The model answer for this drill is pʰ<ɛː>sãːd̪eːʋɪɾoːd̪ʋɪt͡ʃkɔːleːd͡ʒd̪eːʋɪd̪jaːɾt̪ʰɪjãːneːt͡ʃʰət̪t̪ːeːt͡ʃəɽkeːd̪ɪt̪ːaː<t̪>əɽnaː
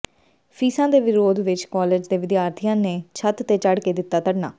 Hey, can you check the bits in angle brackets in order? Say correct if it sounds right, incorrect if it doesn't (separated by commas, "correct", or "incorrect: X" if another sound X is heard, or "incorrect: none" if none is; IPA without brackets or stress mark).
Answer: incorrect: iː, correct